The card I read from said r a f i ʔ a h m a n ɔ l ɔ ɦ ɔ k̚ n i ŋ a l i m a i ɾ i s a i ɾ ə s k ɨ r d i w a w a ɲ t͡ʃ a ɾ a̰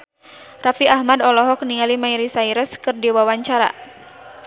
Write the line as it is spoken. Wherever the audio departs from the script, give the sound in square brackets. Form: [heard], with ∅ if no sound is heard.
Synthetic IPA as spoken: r a f i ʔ a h m a [d] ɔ l ɔ ɦ ɔ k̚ n i ŋ a l i m a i ɾ i s a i ɾ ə s k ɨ r d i w a w a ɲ t͡ʃ a ɾ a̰